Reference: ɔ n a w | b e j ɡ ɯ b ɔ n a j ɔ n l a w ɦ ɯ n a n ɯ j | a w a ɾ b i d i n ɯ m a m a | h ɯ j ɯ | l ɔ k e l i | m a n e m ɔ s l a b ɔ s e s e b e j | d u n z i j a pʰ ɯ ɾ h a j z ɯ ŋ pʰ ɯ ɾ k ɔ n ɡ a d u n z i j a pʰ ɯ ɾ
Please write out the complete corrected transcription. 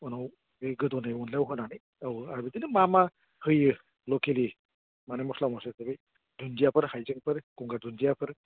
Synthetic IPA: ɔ n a w | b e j ɡ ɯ d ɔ n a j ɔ n l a w ɦ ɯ n a n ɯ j | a w a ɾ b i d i n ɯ m a m a | h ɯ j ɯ | l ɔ k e l i | m a n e m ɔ s l a m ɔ s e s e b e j | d u n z i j a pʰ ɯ ɾ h a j z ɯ ŋ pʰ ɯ ɾ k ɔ ŋ ɡ a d u n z i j a pʰ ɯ ɾ